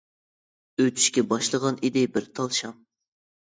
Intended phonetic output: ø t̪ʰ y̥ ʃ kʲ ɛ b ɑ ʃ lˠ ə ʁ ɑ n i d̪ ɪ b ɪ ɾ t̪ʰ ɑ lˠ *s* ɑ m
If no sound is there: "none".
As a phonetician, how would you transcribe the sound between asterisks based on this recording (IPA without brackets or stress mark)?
ʃ